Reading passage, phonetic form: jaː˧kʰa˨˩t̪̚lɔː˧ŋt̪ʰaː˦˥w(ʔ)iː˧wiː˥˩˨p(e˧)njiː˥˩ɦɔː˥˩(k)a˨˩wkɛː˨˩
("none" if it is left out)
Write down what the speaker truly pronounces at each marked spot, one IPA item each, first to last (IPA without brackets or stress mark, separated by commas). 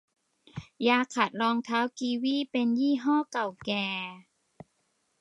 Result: k, e˧, k